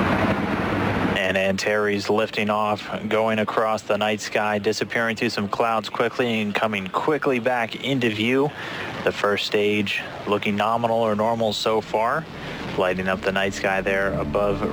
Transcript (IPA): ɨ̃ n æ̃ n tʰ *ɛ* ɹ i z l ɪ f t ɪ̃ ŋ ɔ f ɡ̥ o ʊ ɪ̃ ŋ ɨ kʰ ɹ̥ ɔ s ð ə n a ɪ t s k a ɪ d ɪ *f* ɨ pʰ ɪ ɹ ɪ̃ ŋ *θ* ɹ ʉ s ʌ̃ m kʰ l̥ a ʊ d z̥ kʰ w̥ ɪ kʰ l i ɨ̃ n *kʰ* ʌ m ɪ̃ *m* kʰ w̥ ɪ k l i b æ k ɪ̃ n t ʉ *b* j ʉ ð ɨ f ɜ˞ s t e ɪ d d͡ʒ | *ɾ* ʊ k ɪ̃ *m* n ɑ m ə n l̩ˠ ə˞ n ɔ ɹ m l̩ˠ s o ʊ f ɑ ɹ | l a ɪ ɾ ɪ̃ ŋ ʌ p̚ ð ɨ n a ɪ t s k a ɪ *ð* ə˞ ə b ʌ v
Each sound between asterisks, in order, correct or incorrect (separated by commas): correct, incorrect, correct, correct, incorrect, incorrect, incorrect, incorrect, correct